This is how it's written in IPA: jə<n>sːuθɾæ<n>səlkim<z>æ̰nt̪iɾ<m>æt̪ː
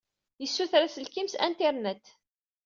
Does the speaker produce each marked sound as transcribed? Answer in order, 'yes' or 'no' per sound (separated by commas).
no, no, no, no